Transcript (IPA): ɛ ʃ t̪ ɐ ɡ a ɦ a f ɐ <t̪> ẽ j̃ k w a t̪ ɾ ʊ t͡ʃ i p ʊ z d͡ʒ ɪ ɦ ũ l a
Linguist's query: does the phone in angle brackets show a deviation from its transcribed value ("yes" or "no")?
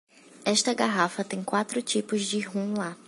no